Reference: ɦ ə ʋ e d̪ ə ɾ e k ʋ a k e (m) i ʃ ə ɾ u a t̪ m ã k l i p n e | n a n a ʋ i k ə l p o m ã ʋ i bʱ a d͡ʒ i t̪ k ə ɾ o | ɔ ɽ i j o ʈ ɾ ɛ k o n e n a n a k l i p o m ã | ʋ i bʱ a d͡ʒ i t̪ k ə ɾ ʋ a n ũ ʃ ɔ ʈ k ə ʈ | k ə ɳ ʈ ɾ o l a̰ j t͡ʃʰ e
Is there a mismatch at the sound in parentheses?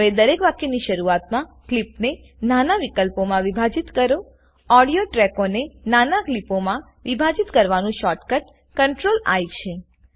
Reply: yes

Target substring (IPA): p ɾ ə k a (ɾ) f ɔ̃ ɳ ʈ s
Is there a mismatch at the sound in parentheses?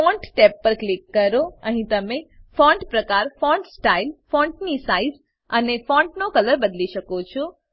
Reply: no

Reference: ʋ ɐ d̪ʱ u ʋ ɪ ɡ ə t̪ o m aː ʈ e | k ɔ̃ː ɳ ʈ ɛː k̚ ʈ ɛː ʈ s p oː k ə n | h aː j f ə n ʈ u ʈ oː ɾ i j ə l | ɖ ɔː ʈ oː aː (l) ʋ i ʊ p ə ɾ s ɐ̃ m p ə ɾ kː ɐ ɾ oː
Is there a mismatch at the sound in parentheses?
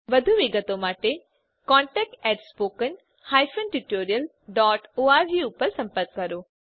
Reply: yes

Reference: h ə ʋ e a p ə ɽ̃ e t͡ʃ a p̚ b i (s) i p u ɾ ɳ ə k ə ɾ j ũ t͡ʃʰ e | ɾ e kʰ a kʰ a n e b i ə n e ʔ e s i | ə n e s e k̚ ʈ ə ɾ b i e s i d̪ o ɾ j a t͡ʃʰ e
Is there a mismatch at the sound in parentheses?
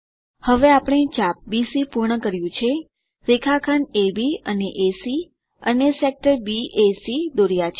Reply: no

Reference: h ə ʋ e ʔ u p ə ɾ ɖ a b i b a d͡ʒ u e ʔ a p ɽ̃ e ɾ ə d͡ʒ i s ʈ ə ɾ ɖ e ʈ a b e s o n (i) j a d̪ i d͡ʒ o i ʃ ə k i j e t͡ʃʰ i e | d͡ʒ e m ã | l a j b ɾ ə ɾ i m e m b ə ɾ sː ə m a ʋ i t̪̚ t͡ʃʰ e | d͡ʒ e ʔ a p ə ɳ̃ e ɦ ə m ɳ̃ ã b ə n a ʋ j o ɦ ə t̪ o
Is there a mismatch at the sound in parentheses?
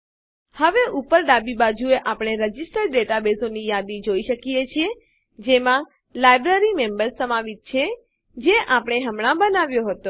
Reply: no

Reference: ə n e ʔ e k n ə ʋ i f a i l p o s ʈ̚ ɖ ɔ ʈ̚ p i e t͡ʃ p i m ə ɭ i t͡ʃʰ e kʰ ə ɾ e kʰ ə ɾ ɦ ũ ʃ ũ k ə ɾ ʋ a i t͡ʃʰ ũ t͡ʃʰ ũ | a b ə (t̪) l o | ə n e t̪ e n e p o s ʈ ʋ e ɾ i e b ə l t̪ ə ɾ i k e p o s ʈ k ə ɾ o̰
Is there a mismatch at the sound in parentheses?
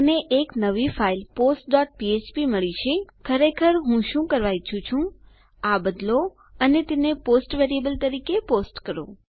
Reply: yes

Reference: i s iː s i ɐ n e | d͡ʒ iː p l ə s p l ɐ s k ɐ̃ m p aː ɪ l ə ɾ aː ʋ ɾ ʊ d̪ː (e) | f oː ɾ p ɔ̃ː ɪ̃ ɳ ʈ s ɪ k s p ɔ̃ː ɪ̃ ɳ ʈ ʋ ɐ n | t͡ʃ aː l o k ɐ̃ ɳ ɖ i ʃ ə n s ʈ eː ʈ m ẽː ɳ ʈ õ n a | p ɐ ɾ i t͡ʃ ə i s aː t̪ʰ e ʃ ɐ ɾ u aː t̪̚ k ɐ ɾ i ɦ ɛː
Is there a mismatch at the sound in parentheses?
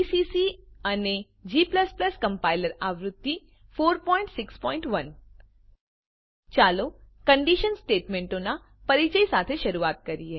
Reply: yes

